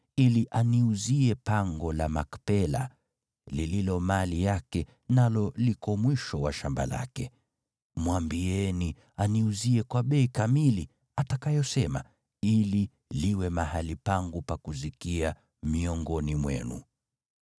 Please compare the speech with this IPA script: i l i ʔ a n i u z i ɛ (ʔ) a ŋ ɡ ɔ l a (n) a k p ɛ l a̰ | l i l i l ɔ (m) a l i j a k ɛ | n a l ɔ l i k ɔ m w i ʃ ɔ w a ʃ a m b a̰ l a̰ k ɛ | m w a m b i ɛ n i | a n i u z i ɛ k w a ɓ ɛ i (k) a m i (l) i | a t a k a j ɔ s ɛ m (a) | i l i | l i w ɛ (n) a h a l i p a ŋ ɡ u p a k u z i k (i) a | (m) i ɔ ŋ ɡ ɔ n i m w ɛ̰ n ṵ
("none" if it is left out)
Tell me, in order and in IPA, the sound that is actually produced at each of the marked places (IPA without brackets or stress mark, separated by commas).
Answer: p, m, m, k, l, a, m, i, m